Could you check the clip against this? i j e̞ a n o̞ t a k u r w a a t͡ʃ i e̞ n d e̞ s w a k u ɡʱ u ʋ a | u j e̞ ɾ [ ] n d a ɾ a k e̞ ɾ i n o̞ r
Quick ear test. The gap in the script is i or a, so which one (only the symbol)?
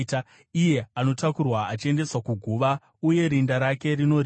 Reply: i